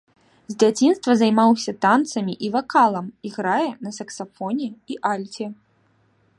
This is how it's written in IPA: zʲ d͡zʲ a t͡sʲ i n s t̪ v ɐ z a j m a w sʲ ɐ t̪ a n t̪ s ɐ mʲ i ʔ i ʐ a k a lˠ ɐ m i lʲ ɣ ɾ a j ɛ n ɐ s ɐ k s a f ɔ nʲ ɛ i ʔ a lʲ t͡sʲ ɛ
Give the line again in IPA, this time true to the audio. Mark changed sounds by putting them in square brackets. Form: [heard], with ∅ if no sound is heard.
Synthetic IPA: zʲ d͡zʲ a t͡sʲ i n s t̪ v ɐ z a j m a w sʲ ɐ t̪ a n t̪ s ɐ mʲ i ʔ i [v] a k a lˠ ɐ m i [∅] ɣ ɾ a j ɛ n ɐ s ɐ k s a f ɔ nʲ ɛ i ʔ a lʲ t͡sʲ ɛ